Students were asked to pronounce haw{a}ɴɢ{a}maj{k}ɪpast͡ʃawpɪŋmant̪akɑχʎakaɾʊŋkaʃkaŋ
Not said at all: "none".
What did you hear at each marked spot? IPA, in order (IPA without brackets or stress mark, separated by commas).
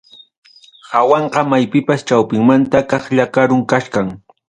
ɑ, ɑ, p